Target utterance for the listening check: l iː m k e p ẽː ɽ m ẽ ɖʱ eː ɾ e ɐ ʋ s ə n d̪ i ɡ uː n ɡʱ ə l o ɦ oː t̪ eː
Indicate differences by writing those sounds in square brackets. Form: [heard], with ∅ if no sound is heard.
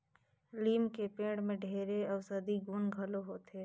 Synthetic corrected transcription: l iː m k e p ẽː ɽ m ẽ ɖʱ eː ɾ e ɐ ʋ s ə [∅] d̪ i ɡ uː n ɡʱ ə l o ɦ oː t̪ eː